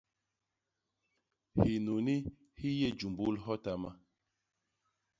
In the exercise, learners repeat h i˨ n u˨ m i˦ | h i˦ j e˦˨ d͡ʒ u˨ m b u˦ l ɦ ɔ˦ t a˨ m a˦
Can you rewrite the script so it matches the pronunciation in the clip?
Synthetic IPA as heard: h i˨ n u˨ n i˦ | h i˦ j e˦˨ d͡ʒ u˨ m b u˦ l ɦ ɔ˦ t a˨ m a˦